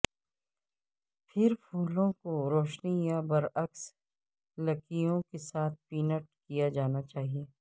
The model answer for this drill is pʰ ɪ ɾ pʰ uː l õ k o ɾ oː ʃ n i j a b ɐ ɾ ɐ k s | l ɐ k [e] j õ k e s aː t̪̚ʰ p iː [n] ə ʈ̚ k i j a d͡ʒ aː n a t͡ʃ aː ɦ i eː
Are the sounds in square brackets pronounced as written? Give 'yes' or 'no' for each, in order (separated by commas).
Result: no, yes